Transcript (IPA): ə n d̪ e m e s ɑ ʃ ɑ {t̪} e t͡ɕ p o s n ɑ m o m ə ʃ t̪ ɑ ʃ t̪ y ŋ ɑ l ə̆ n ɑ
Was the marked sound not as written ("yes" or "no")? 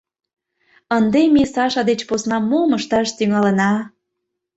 yes